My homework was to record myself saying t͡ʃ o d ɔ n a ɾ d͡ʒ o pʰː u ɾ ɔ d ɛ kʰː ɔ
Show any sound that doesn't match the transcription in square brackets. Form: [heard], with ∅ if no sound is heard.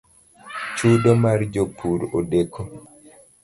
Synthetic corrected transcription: t͡ʃ [u] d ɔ [m] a ɾ d͡ʒ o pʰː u ɾ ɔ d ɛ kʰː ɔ